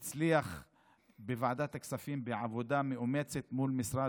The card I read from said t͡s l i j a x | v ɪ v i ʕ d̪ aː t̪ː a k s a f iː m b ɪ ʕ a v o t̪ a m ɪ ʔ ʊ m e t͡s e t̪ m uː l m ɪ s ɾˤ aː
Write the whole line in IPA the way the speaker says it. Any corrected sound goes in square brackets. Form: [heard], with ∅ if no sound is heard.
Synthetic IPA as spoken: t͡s l i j a x | [b] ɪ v [a] ʕ d̪ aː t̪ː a k s a f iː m b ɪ ʕ a v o [d̪] a m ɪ ʔ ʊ m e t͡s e t̪ m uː l m ɪ s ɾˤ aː